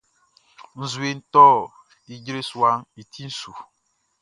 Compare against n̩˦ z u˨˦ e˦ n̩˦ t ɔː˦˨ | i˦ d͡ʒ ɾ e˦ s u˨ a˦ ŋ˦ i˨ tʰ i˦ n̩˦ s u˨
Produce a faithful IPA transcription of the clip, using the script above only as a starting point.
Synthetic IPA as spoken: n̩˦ z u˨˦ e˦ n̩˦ t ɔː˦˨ | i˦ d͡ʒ ɾ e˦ s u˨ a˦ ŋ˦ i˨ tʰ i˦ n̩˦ s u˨